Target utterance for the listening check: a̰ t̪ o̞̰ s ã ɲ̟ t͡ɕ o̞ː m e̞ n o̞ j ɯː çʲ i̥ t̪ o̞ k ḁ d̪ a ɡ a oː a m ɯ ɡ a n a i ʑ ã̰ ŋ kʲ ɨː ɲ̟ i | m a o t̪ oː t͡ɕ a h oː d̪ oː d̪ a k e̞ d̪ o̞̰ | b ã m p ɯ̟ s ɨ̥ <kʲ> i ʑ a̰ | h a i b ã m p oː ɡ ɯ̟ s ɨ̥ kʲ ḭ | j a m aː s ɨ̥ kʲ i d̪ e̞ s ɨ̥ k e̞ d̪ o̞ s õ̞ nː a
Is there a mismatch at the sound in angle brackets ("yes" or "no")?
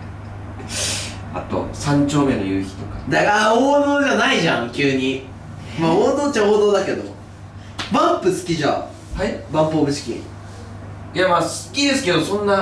no